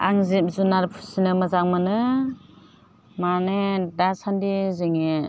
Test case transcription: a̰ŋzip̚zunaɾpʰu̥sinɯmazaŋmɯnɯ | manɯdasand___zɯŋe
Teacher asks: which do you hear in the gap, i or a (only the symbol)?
i